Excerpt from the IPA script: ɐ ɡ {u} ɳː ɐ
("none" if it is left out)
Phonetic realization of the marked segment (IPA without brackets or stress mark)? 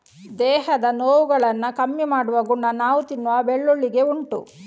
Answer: u